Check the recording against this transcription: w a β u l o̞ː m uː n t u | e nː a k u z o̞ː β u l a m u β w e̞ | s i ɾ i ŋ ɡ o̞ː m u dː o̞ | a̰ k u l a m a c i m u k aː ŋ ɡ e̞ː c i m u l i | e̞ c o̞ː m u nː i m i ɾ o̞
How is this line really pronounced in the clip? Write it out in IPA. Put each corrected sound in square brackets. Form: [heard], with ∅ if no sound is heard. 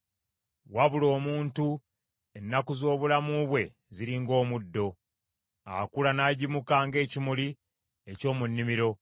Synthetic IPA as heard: w a β u l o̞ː m uː n t u | e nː a k u z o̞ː β u l a m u β w e̞ | [z] i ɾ i ŋ ɡ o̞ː m u dː o̞ | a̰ k u l a [n] a [ɟ] i m u k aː ŋ ɡ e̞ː c i m u l i | e̞ c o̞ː m u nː i m i ɾ o̞